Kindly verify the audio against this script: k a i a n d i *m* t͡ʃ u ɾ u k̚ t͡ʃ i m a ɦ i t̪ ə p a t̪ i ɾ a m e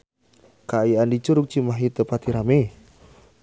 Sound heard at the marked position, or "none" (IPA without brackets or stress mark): none